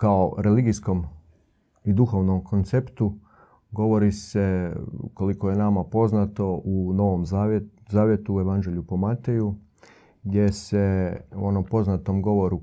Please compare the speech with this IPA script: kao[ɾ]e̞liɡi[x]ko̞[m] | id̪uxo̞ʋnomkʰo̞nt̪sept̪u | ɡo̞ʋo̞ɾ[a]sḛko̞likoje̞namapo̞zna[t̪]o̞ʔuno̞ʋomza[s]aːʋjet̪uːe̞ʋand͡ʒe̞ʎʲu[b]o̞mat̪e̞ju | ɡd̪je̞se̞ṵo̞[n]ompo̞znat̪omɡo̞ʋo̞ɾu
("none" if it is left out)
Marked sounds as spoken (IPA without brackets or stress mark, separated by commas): ɾ, s, m, i, t̪, z, p, n